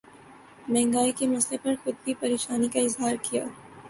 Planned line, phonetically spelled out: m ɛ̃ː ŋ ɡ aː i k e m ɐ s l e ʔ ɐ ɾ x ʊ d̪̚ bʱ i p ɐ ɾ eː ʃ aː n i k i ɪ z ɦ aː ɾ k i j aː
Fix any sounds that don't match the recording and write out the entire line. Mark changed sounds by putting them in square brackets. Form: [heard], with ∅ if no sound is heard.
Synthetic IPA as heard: m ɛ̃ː ŋ ɡ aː i k e m ɐ s l e [p] ɐ ɾ x ʊ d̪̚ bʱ i p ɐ ɾ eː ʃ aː n i k [a] ɪ z ɦ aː ɾ k i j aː